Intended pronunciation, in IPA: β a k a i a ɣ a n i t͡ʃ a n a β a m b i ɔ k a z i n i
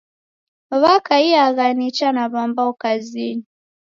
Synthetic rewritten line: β a k a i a ɣ a n i t͡ʃ a n a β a m b a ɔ k a z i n i